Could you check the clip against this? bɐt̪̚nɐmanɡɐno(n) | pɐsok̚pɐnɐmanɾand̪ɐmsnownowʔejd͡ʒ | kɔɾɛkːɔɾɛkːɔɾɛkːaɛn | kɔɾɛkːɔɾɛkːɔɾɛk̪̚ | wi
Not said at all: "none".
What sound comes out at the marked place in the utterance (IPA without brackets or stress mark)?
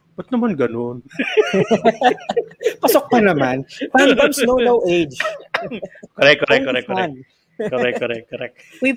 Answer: n